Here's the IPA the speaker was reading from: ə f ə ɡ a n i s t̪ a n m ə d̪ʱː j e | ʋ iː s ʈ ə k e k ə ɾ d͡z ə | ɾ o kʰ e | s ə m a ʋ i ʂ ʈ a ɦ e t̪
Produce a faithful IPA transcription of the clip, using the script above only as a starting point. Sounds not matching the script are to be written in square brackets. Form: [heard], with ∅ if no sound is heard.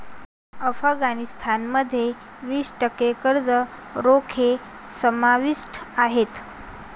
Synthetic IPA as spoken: ə f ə ɡ a n i s [t̪ʰ] a n m ə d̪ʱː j e | ʋ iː s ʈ ə k e k ə ɾ d͡z ə | ɾ o kʰ e | s ə m a ʋ i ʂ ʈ a ɦ e t̪